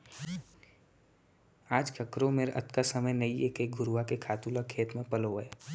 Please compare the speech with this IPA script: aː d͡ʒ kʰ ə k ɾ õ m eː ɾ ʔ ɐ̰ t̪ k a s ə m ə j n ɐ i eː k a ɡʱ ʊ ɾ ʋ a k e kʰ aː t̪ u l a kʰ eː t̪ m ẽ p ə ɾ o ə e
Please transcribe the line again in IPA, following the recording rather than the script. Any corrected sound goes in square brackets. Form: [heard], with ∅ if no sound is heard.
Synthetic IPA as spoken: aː d͡ʒ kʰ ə k ɾ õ m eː ɾ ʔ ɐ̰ t̪ k a s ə m ə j n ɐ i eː k [e] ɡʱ ʊ ɾ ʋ a k e kʰ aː t̪ u l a kʰ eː t̪ m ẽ p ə [l] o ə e